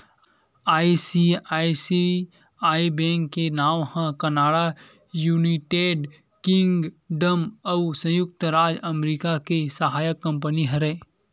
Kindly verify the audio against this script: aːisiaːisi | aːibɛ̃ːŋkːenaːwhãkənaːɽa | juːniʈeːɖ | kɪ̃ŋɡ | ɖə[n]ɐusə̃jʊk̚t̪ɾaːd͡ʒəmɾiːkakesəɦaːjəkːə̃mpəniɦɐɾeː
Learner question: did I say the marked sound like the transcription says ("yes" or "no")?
no